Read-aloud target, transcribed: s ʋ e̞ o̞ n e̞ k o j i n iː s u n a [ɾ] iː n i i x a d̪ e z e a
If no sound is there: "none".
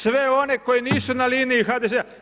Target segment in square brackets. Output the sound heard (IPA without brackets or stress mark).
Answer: l